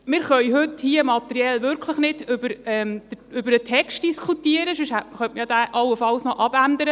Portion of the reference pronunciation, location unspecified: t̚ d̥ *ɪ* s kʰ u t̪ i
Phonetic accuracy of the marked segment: incorrect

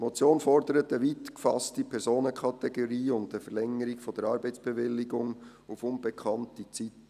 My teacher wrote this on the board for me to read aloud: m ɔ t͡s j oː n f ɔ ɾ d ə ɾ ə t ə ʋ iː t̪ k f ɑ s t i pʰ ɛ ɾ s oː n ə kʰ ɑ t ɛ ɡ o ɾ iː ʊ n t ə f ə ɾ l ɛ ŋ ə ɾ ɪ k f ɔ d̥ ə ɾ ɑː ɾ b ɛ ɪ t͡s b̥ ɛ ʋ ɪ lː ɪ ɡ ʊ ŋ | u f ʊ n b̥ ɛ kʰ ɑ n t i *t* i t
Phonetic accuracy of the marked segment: incorrect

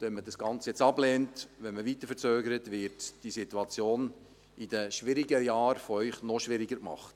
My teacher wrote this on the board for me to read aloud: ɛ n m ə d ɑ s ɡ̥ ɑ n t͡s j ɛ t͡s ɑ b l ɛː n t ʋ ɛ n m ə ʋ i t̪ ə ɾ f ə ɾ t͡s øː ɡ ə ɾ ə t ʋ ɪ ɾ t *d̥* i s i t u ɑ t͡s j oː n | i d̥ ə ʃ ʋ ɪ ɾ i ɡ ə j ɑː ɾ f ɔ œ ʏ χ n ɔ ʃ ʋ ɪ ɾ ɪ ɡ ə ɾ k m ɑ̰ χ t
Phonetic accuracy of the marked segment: correct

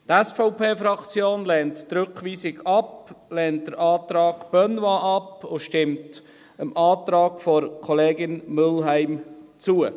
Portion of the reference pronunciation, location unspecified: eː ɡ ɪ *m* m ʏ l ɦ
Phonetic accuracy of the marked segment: incorrect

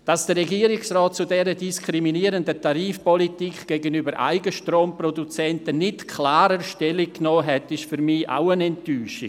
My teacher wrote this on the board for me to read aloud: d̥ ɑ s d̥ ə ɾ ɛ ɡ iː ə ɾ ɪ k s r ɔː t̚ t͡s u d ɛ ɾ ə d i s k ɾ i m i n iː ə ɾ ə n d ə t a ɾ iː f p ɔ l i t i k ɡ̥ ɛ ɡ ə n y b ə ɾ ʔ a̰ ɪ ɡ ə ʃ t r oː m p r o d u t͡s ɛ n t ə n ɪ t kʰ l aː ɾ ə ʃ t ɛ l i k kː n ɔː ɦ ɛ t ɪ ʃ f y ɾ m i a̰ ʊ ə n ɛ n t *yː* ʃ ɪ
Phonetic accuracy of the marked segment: correct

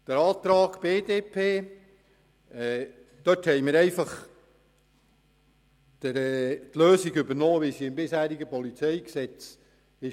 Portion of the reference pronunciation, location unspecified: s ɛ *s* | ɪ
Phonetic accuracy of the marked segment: incorrect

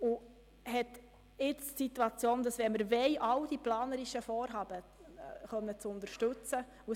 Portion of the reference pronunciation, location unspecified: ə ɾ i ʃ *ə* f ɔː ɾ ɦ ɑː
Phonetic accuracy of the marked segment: correct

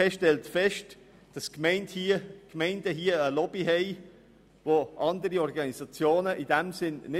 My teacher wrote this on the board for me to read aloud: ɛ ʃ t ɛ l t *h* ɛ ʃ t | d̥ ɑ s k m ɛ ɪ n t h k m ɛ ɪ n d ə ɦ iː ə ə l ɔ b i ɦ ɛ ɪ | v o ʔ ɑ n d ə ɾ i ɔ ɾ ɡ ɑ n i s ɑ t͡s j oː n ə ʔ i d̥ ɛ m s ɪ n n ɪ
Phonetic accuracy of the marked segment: incorrect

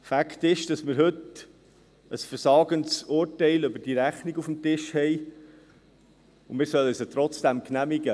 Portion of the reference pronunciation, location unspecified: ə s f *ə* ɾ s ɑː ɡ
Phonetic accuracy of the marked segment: correct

